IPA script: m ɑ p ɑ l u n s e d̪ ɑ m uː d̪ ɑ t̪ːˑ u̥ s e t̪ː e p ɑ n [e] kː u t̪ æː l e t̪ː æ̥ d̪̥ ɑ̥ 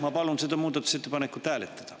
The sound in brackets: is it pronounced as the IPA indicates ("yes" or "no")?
yes